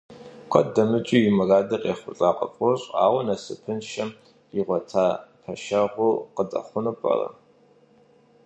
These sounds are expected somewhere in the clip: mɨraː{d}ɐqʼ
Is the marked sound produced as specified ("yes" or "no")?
yes